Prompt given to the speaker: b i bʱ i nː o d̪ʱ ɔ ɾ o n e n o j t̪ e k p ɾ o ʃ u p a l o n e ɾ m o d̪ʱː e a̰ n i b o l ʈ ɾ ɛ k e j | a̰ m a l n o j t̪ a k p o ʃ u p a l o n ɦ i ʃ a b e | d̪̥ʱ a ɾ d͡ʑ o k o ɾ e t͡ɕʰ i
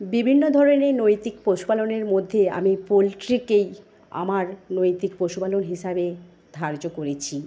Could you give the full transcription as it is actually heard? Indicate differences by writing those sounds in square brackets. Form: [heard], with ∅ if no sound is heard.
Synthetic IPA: b i bʱ i nː o d̪ʱ ɔ ɾ o n e n o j t̪ [i] k p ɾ o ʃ u p a l o n e ɾ m o d̪ʱː e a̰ [m] i [p] o l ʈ ɾ [i] k e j | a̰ m a [ɾ] n o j t̪ [i] k p o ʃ u p a l o n ɦ i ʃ a b e | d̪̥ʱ a ɾ d͡ʑ o k o ɾ e t͡ɕʰ i